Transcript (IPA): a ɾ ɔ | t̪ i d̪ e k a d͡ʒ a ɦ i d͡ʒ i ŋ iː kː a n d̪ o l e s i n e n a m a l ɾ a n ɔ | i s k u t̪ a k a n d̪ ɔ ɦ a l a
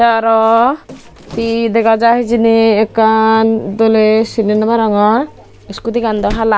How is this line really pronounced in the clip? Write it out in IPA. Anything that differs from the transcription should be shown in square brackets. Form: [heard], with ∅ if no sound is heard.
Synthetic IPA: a ɾ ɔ | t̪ i d̪ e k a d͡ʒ a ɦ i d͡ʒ i [n] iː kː a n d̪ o l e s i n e n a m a [∅] ɾ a [ŋ] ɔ | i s k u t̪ [i] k a n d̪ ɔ ɦ a l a

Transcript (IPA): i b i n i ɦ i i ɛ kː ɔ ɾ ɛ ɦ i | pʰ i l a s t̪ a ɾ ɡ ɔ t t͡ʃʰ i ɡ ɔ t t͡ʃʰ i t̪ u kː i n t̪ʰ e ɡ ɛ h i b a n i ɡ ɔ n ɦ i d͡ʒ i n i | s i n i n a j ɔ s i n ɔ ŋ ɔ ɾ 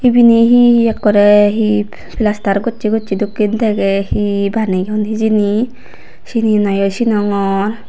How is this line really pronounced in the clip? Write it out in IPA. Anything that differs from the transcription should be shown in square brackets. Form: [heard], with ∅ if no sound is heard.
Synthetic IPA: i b i n i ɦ i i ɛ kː ɔ ɾ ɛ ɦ i | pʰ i l a s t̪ a ɾ ɡ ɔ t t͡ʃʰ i ɡ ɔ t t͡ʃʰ i [d̪] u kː i n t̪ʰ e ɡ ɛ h i b a n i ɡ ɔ n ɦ i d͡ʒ i n i | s i n i n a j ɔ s i n ɔ ŋ ɔ ɾ

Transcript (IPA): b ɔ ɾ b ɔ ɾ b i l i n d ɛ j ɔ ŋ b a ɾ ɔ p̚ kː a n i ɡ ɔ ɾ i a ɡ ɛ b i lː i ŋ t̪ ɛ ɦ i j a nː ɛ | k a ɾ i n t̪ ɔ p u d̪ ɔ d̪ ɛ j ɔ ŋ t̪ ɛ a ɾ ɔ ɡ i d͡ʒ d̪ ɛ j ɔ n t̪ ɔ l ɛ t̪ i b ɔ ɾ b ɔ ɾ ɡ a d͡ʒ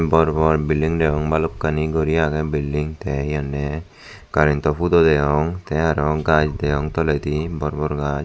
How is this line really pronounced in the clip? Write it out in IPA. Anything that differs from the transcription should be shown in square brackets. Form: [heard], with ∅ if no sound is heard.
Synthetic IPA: b ɔ ɾ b ɔ ɾ b i l i [ŋ] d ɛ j ɔ ŋ b a [l] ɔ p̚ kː a n i ɡ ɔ ɾ i a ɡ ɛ b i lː i ŋ t̪ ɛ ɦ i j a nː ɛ | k a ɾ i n t̪ ɔ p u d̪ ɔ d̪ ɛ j ɔ ŋ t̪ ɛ a ɾ ɔ ɡ [a] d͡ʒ d̪ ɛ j ɔ [ŋ] t̪ ɔ l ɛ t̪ i b ɔ ɾ b ɔ ɾ ɡ a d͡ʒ

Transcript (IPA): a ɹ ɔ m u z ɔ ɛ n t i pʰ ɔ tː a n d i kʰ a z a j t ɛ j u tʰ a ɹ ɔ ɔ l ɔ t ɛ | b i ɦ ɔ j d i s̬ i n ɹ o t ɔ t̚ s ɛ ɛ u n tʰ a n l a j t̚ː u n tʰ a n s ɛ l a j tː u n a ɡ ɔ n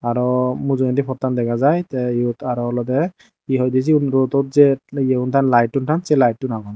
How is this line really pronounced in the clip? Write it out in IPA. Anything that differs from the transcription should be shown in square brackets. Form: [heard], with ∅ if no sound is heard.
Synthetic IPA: a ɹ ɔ m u z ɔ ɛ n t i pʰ ɔ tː a n d [ɛ] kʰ a z a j t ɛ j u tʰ a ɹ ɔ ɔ l ɔ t ɛ | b i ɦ ɔ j d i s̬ i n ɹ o t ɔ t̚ [z] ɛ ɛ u n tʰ a n l a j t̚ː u n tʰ a n s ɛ l a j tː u n a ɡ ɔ n

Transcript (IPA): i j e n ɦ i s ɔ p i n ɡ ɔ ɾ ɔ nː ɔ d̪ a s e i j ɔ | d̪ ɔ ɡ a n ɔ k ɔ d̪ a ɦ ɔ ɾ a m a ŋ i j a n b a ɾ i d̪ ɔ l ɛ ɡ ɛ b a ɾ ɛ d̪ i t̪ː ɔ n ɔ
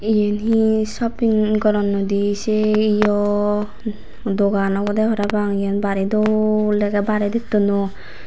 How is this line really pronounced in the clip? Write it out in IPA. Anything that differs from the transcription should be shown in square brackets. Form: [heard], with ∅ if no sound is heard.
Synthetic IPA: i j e n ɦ i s ɔ p i [ŋ] ɡ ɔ ɾ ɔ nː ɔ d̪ [i] s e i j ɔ | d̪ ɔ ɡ a n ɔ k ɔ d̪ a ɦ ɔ ɾ a [b] a ŋ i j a n b a ɾ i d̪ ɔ l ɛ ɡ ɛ b a ɾ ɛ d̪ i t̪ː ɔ n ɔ

